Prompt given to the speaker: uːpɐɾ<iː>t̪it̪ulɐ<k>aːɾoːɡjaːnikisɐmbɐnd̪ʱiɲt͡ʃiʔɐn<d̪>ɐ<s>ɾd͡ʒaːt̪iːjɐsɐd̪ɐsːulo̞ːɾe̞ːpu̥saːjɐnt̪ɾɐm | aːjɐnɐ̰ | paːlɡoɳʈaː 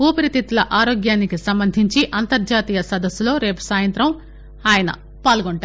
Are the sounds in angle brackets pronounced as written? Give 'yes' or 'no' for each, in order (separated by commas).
no, no, no, no